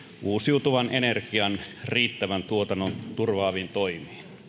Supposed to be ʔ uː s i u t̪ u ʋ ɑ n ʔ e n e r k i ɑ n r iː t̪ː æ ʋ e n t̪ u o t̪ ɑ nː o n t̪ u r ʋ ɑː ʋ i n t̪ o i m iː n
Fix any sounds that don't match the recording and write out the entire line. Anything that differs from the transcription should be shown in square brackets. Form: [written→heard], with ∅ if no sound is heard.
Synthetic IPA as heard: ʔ uː s i u t̪ u ʋ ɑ n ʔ e n e r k i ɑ n r iː t̪ː æ ʋ [e→æ] n t̪ u o t̪ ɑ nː o n t̪ u r ʋ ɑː ʋ i n t̪ o i m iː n